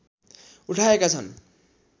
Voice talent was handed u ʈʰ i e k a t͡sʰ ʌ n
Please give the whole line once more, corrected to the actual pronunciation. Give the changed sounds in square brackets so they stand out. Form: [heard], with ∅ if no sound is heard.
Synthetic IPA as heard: u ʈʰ [a] e k a t͡sʰ ʌ n